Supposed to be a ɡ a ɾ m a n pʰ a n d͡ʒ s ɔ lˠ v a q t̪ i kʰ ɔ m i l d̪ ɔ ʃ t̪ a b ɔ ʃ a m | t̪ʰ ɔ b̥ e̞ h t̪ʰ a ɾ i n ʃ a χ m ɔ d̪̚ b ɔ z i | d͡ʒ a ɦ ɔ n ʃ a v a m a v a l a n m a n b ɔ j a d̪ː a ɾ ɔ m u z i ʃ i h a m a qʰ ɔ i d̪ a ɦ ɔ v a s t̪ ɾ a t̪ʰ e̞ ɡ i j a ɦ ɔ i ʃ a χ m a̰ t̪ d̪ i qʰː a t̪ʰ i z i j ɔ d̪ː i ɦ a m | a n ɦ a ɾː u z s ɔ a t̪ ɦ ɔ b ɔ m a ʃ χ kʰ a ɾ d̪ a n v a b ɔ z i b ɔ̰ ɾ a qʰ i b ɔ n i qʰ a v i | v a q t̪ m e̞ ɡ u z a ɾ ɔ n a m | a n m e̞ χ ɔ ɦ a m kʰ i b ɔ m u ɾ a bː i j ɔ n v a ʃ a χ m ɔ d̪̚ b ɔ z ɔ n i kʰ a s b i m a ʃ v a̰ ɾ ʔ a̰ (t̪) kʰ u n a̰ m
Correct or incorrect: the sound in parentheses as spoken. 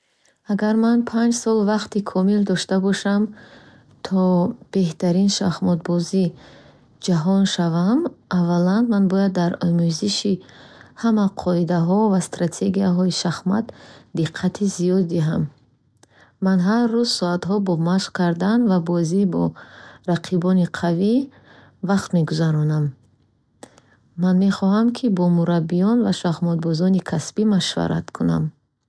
correct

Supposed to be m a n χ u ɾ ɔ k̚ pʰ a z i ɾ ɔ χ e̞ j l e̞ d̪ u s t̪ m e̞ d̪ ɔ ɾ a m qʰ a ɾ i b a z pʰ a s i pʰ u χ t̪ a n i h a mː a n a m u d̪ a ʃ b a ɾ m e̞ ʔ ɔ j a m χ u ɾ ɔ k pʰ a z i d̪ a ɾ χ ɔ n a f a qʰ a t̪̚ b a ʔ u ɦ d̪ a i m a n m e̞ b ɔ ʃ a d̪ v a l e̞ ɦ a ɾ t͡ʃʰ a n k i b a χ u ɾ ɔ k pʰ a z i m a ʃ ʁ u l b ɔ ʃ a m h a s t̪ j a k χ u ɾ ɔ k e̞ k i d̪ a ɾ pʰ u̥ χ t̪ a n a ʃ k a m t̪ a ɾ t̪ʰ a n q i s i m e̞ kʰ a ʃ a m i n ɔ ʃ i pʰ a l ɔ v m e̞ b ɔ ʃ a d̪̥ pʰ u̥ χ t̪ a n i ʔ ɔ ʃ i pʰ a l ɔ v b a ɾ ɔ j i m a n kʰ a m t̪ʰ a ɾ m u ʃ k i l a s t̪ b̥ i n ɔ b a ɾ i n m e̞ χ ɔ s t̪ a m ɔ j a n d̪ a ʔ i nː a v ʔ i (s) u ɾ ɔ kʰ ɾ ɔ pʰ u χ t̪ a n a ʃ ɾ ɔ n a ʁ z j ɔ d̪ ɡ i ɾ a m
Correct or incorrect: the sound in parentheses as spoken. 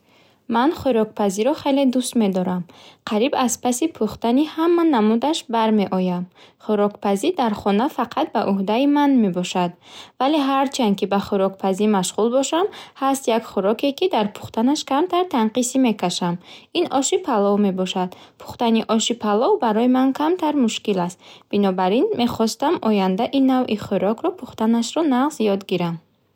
incorrect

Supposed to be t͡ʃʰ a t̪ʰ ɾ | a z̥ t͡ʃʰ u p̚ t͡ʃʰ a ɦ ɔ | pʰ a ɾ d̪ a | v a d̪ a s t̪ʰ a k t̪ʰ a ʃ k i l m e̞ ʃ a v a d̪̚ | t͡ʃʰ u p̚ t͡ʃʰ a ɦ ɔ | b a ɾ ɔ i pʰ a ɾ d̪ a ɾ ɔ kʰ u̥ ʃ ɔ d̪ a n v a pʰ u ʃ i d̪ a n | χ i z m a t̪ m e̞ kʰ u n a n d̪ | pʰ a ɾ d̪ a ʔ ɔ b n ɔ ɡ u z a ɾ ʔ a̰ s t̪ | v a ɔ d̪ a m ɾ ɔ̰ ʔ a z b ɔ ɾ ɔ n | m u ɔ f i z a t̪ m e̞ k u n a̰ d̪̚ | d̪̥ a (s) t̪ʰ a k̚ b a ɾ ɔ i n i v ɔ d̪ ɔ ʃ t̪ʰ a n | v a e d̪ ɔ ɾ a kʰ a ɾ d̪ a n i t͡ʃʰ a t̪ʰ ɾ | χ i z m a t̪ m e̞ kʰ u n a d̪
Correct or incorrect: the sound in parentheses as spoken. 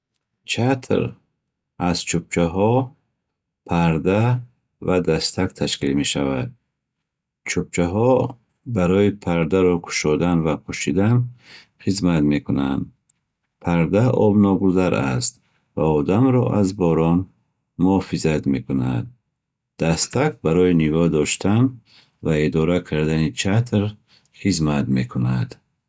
correct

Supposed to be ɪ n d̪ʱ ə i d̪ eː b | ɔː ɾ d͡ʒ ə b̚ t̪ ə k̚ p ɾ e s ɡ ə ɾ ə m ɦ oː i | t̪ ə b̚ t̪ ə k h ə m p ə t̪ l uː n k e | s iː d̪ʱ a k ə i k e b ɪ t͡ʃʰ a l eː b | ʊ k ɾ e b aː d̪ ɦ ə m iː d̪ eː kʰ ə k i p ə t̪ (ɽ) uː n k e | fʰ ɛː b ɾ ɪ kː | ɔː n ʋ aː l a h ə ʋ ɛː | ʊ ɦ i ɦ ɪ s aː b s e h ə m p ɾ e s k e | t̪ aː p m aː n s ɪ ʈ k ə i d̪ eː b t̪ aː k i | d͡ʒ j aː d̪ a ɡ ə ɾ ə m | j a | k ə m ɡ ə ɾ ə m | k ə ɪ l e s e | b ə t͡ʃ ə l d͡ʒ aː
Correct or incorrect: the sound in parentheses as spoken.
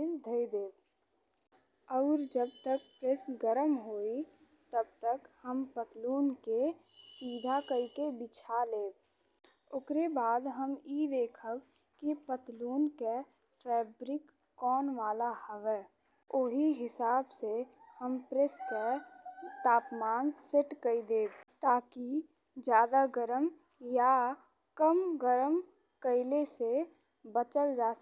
incorrect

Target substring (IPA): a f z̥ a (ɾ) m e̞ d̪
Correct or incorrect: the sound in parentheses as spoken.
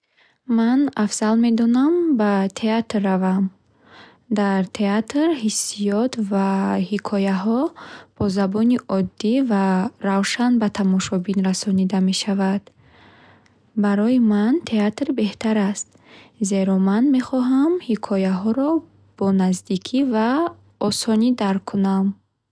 incorrect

